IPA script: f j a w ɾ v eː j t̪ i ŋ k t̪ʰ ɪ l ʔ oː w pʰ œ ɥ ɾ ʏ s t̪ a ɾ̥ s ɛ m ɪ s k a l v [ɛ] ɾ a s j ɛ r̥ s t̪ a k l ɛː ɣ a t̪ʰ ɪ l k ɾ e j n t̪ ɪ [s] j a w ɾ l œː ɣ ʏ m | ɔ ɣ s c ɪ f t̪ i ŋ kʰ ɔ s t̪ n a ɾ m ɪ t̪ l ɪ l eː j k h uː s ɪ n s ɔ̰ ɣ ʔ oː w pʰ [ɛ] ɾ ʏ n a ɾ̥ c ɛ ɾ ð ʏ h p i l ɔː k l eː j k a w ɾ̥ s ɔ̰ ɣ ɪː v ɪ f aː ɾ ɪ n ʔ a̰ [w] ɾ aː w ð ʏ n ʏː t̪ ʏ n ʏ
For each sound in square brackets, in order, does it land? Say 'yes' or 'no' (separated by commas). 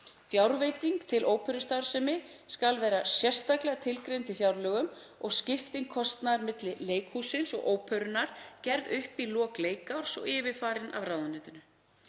no, no, no, no